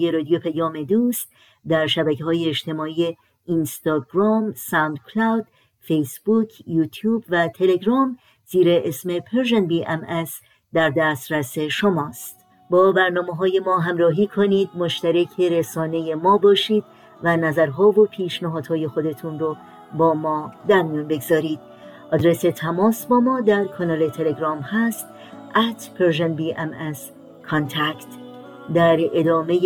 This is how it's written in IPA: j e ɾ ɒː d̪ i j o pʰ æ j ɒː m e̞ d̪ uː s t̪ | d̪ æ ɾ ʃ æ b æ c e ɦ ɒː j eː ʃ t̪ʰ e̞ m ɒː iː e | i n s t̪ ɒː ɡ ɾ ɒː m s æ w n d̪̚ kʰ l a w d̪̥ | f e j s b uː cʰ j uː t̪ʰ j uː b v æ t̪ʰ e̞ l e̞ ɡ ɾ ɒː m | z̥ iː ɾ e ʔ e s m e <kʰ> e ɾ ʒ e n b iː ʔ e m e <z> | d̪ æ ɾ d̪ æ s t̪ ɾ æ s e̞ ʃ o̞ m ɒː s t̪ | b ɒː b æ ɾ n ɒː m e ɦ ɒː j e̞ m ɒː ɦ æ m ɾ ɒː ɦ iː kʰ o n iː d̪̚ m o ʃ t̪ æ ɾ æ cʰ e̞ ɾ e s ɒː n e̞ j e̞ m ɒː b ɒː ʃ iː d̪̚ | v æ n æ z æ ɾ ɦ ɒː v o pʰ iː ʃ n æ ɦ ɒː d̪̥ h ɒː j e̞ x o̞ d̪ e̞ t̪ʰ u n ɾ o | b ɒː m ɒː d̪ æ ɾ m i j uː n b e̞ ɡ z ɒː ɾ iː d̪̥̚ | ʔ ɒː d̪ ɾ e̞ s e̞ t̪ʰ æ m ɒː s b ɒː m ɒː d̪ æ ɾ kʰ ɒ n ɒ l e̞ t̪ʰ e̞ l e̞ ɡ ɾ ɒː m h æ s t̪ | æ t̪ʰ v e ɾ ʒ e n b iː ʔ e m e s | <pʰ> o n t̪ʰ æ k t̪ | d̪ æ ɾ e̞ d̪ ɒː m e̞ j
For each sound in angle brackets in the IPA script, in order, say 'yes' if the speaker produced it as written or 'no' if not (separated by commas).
no, no, no